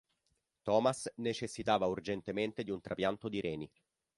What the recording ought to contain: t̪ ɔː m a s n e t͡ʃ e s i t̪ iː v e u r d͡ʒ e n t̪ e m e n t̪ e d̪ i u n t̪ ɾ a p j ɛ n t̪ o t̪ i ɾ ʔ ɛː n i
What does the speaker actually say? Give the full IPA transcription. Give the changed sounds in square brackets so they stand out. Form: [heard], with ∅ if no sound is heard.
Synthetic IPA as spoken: t̪ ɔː m a s n e t͡ʃ e [sː] i t̪ [aː] v [a] u r d͡ʒ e n t̪ e m e n t̪ e d̪ i u n t̪ ɾ a p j [a] n t̪ o [d̪] i ɾ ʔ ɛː n i